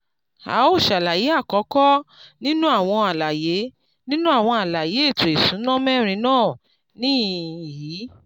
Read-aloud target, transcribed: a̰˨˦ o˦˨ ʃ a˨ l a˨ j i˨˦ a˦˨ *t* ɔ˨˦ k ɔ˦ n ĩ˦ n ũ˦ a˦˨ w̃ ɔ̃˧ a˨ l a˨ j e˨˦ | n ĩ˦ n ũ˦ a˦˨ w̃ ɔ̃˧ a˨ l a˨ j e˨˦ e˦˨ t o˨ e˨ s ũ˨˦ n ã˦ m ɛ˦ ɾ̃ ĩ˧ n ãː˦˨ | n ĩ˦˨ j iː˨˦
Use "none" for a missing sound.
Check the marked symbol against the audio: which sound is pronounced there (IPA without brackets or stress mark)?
k